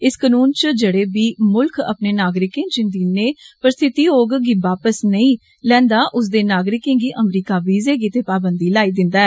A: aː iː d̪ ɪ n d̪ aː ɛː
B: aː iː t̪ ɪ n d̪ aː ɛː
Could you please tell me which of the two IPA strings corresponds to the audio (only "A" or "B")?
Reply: A